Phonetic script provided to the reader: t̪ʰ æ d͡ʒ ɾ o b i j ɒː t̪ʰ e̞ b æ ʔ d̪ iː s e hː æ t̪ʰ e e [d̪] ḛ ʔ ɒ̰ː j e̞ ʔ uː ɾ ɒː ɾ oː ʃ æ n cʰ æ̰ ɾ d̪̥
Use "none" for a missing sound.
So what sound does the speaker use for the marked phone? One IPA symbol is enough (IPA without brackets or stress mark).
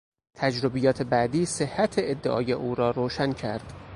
d̪ː